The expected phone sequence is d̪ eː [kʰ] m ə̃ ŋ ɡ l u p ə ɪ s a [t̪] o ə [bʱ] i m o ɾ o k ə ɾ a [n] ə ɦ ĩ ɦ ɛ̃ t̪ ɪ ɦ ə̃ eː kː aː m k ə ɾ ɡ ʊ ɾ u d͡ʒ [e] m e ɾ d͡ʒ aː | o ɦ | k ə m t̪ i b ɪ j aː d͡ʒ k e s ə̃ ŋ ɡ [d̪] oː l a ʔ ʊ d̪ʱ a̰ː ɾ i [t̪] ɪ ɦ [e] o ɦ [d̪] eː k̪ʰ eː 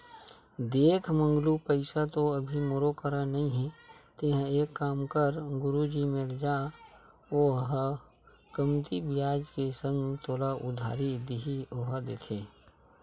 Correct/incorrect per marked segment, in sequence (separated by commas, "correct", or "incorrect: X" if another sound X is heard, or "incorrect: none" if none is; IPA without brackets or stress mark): correct, correct, correct, correct, incorrect: i, incorrect: t̪, incorrect: d̪, incorrect: i, correct